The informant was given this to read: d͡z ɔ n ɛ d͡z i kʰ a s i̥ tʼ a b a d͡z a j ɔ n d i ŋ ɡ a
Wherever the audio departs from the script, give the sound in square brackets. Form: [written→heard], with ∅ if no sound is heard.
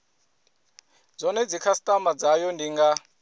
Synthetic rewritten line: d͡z ɔ n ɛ d͡z i kʰ a s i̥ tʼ a [b→m] a d͡z a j ɔ n d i ŋ ɡ a